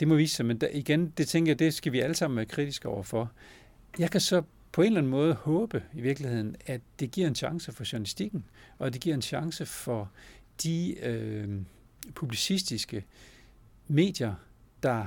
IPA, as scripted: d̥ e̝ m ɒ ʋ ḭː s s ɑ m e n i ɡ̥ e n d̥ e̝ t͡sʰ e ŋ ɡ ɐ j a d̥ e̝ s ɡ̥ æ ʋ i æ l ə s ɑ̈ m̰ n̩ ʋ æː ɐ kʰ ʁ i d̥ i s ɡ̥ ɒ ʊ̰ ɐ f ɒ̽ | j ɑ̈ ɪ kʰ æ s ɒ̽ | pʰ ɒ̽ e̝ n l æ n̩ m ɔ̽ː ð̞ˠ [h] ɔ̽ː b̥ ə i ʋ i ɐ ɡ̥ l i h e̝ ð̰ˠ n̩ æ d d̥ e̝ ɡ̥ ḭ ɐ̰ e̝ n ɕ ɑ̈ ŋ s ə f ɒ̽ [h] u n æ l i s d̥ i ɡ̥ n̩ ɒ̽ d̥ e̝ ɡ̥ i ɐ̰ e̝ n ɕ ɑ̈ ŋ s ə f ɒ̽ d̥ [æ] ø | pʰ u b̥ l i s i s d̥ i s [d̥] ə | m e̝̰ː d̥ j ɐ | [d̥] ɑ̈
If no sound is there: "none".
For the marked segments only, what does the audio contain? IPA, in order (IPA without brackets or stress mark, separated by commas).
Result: h, ɕ, i, ɡ̥, d̥